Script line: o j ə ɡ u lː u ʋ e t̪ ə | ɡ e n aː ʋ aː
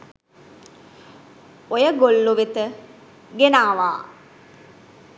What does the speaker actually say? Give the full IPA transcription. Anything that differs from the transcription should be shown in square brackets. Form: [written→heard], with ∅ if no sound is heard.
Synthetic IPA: o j ə ɡ [u→o] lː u ʋ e t̪ ə | ɡ e n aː ʋ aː